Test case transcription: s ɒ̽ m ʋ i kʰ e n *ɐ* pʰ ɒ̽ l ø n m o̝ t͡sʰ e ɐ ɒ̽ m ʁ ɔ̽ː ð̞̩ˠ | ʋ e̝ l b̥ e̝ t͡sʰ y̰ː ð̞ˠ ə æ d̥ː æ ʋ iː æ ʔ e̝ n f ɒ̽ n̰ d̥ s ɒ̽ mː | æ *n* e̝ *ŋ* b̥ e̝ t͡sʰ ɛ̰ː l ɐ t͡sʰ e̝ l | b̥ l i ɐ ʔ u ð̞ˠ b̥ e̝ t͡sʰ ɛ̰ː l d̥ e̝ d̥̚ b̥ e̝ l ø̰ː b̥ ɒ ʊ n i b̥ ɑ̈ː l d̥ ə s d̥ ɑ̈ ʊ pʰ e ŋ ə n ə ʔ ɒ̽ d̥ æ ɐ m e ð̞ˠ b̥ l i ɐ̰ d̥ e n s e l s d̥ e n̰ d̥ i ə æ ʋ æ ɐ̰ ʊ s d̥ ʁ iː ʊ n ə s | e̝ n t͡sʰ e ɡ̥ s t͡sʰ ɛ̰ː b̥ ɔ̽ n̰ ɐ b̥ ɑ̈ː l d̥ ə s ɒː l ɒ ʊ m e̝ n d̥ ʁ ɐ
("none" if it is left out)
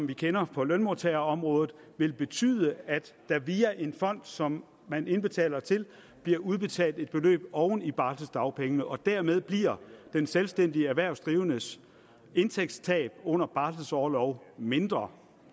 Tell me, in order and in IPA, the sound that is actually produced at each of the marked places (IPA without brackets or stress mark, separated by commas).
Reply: ɐ, n, n